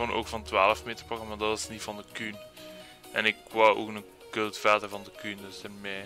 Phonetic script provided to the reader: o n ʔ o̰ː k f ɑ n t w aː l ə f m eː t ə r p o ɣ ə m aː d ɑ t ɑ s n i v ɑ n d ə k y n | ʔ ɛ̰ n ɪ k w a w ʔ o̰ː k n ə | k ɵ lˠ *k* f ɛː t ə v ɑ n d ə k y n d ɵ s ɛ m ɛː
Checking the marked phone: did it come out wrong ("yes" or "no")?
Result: yes